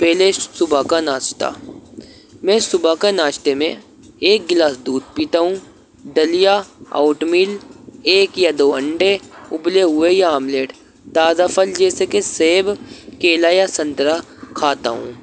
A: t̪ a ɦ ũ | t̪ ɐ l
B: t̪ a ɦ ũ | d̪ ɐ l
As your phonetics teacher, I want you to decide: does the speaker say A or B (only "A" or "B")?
B